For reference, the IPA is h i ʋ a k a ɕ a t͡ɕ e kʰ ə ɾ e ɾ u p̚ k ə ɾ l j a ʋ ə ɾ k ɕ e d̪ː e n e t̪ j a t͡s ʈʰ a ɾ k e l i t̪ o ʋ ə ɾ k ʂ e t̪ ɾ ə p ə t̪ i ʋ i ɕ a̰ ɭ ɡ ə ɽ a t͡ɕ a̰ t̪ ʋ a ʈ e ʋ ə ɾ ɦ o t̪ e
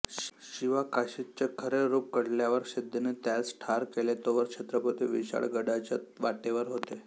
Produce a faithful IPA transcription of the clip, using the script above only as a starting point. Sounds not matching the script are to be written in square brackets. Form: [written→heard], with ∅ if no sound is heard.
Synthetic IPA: [h→ɕ] i ʋ a k a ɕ [a→i] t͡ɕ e kʰ ə ɾ e ɾ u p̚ k ə [ɾ→ɽ] l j a ʋ ə ɾ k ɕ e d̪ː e n e t̪ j a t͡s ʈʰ a ɾ k e l [i→e] t̪ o ʋ ə ɾ k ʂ e t̪ ɾ ə p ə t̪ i ʋ i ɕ a̰ ɭ ɡ ə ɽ a t͡ɕ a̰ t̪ ʋ a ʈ e ʋ ə ɾ ɦ o t̪ e

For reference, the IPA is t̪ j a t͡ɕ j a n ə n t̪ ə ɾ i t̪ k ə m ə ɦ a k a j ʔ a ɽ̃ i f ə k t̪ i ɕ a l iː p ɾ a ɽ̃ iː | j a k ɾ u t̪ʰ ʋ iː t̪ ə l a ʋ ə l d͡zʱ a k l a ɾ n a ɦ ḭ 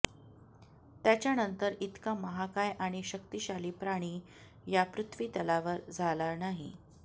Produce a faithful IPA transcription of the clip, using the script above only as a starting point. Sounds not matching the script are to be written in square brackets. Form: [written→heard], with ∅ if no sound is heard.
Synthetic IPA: t̪ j a t͡ɕ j a n ə n t̪ ə ɾ i t̪ k [ə→a] m ə ɦ a k a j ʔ a ɽ̃ i [f→ɕ] ə k t̪ i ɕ a l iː p ɾ a ɽ̃ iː | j a [k→p] ɾ u t̪ʰ ʋ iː t̪ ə l a ʋ ə [l→ɾ] d͡zʱ a [k→∅] l a ɾ n a ɦ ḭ

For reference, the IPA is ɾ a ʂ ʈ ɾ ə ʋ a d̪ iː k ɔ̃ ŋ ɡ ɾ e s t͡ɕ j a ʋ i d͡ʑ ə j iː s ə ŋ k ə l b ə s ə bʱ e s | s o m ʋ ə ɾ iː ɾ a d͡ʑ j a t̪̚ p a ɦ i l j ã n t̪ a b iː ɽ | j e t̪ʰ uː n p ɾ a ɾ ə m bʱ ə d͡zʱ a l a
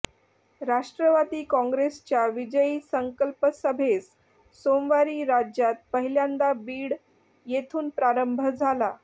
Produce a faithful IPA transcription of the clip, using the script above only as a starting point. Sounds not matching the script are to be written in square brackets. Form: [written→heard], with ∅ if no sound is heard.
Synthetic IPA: ɾ a ʂ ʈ ɾ ə ʋ a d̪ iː k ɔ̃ ŋ ɡ ɾ e s t͡ɕ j a ʋ i d͡ʑ ə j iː s ə ŋ k ə l [b→p] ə s ə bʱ e s | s o m ʋ [ə→a] ɾ iː ɾ a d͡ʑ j a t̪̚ p [a→ə] ɦ i l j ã n [t̪→d̪] a b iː ɽ | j e t̪ʰ uː n p ɾ a ɾ ə m bʱ ə d͡zʱ a l a

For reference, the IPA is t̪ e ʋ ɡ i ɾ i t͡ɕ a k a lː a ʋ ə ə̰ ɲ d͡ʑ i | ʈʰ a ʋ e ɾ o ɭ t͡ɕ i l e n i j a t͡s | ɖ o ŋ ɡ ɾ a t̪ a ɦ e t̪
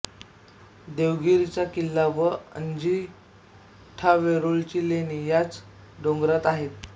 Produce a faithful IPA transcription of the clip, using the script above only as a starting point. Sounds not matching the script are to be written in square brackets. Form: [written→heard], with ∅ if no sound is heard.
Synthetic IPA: [t̪→d̪] e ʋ ɡ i ɾ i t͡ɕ a k [a→i] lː a ʋ ə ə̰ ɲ d͡ʑ i | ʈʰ a ʋ e ɾ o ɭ t͡ɕ i l e n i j a t͡s | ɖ o ŋ ɡ ɾ a t̪ a ɦ e t̪

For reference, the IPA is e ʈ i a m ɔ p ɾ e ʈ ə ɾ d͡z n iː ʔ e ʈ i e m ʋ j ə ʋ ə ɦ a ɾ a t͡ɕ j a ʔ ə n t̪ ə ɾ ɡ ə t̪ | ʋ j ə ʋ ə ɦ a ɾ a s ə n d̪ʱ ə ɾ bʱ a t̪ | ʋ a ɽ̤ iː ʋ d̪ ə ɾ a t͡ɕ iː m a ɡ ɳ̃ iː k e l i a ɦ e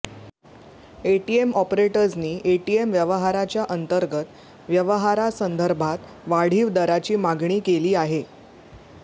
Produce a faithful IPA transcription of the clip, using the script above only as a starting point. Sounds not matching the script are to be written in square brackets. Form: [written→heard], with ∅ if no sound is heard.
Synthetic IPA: e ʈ i [a→e] m ɔ p ɾ e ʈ ə ɾ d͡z n iː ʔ e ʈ i e m ʋ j ə ʋ ə ɦ a ɾ a t͡ɕ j a ʔ ə n t̪ ə ɾ ɡ ə t̪ | ʋ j ə ʋ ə ɦ a ɾ a s ə n d̪ʱ ə ɾ bʱ a t̪ | ʋ a ɽ̤ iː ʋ d̪ ə ɾ a t͡ɕ iː m a ɡ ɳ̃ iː k e l [i→iː] a ɦ e

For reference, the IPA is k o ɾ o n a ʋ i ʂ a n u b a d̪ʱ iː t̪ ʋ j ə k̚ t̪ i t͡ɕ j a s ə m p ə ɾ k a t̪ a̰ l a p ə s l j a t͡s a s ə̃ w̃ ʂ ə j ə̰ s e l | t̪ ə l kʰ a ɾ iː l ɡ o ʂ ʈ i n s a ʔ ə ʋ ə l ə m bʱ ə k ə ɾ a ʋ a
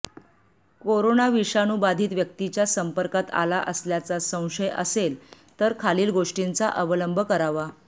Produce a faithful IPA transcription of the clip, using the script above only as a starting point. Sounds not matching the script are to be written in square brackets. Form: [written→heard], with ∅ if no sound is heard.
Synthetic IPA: k o ɾ o n a ʋ i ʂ a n u b a d̪ʱ iː t̪ ʋ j ə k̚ t̪ i t͡ɕ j a s ə m p ə ɾ k a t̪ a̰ l a [p→ʔ] ə s l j a t͡s a s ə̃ w̃ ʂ ə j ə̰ s e l | t̪ ə [l→ɾ] kʰ a [ɾ→l] iː l ɡ o ʂ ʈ i n [s→t͡s] a ʔ ə ʋ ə l ə m bʱ ə k ə ɾ a ʋ a

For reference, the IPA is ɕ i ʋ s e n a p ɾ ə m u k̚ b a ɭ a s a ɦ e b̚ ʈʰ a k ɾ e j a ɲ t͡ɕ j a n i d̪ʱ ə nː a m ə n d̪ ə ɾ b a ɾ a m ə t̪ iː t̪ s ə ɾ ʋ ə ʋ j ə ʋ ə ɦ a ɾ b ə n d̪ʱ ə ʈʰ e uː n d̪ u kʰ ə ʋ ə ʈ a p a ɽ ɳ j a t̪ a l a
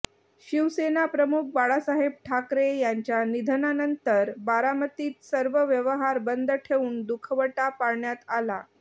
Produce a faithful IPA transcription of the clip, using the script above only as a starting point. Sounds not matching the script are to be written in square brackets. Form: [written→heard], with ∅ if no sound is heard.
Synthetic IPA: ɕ i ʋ s e n a p ɾ ə m u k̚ b a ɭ a s a ɦ e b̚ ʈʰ a k ɾ e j a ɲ t͡ɕ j a n i d̪ʱ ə [nː→n] a [m→n] ə n [d̪→t̪] ə ɾ b a ɾ a m ə t̪ iː t̪ s ə ɾ ʋ ə ʋ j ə ʋ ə ɦ a ɾ b ə n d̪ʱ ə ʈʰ e uː n d̪ u kʰ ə ʋ ə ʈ a p a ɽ ɳ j a t̪ a l a

